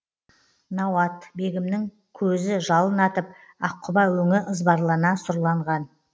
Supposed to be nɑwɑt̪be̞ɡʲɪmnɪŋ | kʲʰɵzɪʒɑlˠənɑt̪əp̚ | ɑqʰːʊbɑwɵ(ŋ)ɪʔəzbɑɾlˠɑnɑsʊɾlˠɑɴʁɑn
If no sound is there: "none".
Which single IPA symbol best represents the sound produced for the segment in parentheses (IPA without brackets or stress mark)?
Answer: ŋ